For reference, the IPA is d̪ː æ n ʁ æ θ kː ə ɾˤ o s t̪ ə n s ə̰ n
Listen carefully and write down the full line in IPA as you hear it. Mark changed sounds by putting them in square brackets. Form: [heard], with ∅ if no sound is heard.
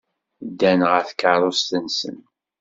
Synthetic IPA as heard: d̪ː æ n ʁ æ θ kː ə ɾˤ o s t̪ ə n s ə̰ n